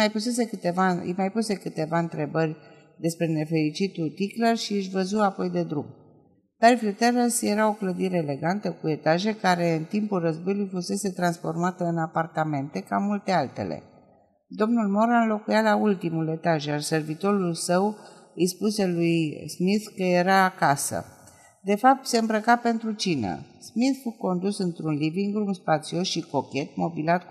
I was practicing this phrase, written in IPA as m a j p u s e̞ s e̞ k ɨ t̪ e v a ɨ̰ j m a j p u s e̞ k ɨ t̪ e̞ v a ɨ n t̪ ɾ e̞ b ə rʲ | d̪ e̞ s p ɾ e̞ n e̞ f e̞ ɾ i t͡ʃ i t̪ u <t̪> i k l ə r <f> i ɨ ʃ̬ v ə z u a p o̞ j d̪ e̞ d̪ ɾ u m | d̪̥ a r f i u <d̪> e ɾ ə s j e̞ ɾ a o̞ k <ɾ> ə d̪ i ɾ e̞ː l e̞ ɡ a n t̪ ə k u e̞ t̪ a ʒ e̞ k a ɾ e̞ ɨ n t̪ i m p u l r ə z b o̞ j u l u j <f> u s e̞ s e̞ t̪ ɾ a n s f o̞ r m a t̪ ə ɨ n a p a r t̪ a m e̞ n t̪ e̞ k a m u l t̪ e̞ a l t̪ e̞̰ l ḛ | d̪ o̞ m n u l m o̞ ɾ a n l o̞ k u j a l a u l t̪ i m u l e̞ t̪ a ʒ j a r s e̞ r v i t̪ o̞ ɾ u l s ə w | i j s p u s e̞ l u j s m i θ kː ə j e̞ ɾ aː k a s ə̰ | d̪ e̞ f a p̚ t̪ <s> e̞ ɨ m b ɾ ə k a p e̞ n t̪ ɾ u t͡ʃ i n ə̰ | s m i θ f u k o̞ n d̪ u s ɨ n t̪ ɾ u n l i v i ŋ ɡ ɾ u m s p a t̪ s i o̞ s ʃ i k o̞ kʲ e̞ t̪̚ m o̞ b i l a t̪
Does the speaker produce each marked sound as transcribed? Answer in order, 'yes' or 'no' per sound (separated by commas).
yes, no, no, no, yes, yes